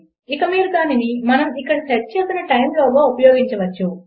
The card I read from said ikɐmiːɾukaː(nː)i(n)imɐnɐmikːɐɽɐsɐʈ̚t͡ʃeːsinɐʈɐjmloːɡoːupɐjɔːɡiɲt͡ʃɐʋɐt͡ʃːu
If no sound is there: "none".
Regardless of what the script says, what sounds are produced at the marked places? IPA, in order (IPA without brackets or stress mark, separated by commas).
n, n